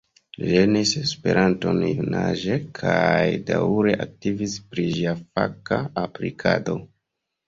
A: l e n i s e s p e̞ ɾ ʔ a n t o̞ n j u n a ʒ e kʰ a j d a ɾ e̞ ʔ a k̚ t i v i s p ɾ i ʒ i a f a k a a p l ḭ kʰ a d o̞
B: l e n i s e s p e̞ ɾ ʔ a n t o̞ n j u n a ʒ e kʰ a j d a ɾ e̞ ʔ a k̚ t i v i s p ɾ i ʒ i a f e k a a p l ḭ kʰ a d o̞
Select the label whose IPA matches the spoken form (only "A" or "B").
A